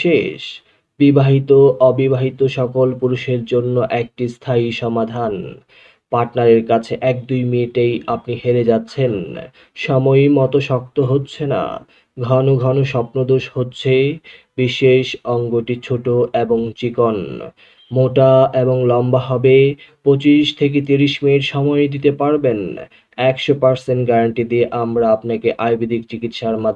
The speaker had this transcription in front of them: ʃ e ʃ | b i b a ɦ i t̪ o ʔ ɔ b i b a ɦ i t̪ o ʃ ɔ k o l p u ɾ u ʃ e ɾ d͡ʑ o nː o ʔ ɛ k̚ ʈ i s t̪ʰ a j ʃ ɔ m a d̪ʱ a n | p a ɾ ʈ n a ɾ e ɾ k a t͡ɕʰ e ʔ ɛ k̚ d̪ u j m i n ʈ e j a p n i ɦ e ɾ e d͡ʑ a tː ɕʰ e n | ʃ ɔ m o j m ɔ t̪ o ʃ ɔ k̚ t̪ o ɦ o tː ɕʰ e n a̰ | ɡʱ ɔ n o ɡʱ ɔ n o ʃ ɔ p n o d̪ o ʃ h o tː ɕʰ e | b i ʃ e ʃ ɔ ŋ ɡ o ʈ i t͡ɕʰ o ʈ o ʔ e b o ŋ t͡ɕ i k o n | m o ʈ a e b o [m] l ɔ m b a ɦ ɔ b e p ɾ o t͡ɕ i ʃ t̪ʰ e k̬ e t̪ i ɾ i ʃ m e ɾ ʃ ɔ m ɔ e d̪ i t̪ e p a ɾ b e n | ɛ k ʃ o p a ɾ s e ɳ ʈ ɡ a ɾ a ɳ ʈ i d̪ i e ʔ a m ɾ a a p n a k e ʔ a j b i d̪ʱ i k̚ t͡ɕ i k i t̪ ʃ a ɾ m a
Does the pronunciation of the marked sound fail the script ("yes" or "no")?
yes